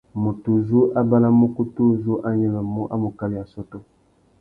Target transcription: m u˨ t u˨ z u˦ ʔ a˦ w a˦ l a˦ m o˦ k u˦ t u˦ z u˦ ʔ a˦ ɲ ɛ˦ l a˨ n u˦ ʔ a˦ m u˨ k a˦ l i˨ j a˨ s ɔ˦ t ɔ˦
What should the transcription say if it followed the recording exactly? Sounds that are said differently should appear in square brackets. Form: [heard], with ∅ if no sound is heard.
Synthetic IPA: m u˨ t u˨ z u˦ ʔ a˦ [b] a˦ l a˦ m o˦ k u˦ t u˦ z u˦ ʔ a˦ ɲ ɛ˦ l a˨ [m] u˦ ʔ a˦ m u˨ k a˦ l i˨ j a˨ s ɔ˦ t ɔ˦

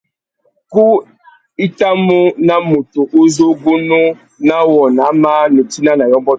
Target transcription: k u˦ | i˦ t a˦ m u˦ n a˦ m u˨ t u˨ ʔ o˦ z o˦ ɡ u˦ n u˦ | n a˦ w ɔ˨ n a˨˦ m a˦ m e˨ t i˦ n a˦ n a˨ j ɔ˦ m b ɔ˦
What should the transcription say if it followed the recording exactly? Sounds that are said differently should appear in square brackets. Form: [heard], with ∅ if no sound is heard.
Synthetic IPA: k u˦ | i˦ t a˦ m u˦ n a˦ m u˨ t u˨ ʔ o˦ z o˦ ɡ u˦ n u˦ | n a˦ w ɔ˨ n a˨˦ m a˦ [n] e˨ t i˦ n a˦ n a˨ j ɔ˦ m b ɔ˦

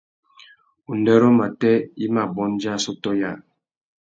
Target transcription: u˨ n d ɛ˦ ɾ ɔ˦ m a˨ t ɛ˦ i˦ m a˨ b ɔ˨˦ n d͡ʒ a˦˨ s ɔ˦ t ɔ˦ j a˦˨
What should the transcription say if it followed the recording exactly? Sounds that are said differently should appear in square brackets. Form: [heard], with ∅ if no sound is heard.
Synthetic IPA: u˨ n d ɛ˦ ɾ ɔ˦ m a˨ t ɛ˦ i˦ m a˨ b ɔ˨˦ n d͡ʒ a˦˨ s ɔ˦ t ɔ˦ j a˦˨

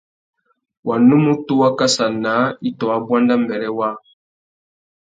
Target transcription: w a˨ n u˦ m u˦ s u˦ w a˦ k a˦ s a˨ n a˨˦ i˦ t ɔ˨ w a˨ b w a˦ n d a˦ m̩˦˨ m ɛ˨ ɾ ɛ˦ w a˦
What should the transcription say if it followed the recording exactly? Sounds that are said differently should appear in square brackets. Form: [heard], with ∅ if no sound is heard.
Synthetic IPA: w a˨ n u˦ m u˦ [t] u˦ w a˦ k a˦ s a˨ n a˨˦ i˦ t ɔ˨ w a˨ b w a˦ n d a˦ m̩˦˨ [b] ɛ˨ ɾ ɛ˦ w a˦

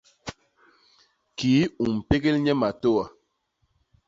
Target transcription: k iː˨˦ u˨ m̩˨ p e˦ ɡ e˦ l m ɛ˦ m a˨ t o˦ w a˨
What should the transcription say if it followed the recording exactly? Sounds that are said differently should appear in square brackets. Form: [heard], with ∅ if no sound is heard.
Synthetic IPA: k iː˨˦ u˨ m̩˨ p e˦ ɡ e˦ l [ɲ] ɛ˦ m a˨ t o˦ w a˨

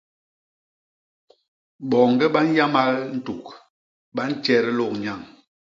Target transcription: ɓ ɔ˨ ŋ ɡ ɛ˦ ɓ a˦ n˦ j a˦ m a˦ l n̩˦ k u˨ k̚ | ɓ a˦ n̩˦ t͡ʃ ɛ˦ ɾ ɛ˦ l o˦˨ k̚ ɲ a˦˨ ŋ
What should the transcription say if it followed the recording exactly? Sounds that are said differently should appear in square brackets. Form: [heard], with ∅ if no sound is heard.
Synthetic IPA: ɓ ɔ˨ ŋ ɡ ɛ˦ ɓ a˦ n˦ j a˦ m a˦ l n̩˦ [t] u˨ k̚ | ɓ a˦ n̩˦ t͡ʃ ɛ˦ ɾ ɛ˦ l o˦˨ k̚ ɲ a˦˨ ŋ

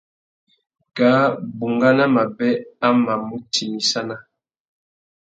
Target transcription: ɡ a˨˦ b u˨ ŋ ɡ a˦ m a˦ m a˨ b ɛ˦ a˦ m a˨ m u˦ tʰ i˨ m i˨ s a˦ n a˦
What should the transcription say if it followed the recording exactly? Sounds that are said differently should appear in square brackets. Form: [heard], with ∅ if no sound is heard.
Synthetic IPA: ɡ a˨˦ b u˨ ŋ ɡ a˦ [n] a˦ m a˨ b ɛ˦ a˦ m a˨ m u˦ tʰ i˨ m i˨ s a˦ n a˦

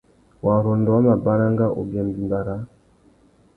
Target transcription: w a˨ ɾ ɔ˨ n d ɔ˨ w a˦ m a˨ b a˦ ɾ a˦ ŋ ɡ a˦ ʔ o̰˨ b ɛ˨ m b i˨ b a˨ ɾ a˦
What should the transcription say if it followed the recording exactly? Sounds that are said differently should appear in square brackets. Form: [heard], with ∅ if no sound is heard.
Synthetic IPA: w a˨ ɾ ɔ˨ n d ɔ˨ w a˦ m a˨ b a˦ ɾ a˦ ŋ ɡ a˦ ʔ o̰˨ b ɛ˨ m b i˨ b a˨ ɾ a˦

